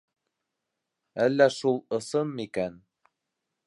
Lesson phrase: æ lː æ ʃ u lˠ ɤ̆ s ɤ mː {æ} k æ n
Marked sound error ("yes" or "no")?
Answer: yes